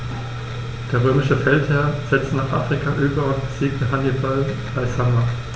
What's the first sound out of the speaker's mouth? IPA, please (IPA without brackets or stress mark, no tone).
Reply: d̥